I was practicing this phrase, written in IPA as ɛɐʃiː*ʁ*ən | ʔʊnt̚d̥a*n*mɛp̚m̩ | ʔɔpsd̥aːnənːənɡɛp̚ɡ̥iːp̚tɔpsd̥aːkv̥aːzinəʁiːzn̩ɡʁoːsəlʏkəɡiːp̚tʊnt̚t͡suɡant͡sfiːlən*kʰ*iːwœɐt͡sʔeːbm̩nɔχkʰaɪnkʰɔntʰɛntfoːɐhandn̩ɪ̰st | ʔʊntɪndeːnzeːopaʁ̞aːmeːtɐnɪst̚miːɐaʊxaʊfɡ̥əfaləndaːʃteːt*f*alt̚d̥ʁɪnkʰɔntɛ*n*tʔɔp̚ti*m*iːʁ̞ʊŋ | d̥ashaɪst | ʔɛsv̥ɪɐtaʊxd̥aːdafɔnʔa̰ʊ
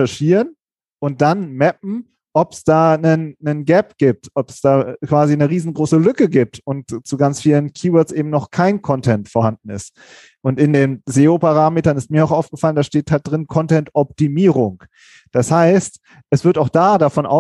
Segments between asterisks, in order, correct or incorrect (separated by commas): correct, correct, correct, incorrect, correct, correct